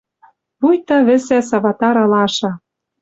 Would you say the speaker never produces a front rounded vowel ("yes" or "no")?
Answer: yes